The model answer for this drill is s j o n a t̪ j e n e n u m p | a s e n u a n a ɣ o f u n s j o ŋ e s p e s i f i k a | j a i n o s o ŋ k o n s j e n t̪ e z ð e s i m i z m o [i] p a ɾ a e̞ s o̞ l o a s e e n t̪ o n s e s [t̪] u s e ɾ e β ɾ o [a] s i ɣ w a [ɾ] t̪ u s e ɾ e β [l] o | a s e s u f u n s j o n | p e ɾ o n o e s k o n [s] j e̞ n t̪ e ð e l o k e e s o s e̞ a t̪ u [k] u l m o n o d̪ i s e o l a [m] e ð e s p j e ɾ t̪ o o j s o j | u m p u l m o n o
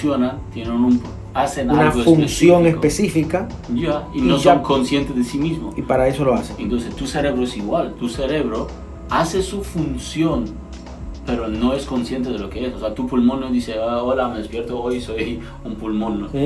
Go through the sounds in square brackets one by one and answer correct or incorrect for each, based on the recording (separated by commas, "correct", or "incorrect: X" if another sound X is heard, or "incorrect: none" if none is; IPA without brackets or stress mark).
correct, correct, incorrect: e, incorrect: l, incorrect: ɾ, correct, incorrect: p, correct